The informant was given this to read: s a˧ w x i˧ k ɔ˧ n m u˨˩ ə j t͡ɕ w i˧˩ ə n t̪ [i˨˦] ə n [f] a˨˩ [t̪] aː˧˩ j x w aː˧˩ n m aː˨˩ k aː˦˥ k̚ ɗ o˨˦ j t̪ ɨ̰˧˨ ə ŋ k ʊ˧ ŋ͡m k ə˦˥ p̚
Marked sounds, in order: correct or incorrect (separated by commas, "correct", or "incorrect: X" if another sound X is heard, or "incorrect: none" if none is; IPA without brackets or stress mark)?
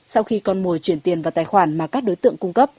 incorrect: i˨˩, incorrect: v, correct